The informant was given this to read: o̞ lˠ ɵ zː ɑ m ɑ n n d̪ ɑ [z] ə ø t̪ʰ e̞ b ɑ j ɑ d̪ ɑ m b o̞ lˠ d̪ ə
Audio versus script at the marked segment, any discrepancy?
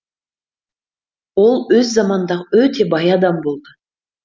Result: yes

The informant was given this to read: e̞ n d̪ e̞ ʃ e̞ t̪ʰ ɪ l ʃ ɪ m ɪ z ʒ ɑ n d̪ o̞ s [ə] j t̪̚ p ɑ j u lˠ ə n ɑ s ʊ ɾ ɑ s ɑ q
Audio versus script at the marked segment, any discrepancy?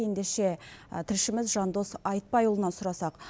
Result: yes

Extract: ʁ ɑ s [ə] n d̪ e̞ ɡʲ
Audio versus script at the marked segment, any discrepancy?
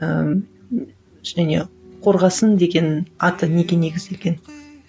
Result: no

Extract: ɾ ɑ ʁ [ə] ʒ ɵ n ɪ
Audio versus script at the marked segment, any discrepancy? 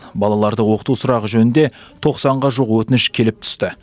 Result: no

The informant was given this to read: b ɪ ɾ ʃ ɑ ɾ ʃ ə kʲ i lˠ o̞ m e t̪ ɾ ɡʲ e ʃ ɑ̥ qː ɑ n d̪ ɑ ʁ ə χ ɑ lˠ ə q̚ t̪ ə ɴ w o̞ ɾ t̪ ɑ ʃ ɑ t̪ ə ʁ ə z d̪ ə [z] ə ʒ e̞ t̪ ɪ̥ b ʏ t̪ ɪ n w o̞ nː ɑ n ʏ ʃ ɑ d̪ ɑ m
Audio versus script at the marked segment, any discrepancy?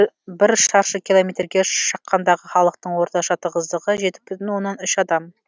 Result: yes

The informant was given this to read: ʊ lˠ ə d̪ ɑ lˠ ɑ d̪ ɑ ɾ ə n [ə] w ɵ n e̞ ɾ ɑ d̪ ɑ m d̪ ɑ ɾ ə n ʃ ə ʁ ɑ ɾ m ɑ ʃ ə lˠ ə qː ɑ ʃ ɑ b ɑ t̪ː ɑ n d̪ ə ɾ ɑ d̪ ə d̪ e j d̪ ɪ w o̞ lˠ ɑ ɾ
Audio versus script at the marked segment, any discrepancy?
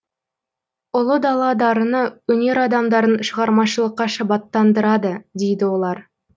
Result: no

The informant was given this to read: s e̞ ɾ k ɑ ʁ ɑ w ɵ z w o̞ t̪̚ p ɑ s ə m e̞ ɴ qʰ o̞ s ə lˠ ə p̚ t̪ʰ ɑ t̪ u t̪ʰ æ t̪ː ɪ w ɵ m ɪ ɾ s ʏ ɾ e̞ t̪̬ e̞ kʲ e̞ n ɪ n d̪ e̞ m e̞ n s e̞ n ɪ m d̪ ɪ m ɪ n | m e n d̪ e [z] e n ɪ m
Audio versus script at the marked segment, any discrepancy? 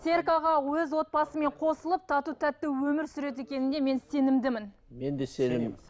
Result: yes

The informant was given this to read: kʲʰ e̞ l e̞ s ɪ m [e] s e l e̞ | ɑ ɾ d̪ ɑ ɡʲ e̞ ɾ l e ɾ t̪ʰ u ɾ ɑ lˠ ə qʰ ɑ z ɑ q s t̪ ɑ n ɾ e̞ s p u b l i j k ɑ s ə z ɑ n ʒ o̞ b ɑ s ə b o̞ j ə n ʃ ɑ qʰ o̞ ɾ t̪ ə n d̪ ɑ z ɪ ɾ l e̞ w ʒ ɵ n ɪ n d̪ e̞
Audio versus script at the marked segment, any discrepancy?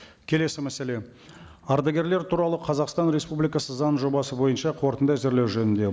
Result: yes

